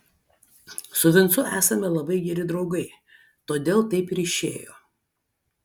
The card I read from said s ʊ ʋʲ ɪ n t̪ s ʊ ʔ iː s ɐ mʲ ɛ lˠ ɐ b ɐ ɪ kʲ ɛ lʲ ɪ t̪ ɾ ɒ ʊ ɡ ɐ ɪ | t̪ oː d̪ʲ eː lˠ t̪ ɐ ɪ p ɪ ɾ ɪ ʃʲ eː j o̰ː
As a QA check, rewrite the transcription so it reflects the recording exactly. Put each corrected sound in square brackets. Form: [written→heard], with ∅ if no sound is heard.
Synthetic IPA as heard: s ʊ ʋʲ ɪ n t̪ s ʊ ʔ [iː→æː] s ɐ mʲ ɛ lˠ ɐ b ɐ ɪ [kʲ→ɡʲ] ɛ [lʲ→ɾʲ] ɪ [t̪→d̪] ɾ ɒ ʊ ɡ ɐ ɪ | t̪ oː d̪ʲ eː lˠ t̪ ɐ ɪ p ɪ ɾ ɪ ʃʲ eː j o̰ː